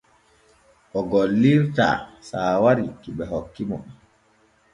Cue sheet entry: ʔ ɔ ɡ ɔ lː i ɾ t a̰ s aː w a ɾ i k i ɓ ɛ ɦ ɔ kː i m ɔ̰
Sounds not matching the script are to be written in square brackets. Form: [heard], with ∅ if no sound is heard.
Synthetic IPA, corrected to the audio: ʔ ɔ ɡ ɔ lː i ɾ t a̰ s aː w a ɾ i k i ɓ ɛ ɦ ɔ kː i m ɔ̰